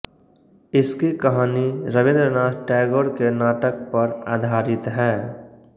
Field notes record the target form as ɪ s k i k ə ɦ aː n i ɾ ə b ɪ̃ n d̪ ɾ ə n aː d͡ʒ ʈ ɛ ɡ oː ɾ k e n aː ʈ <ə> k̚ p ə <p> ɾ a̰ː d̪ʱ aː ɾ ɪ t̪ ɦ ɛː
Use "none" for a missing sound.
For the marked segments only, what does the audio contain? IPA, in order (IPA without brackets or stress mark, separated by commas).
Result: ə, none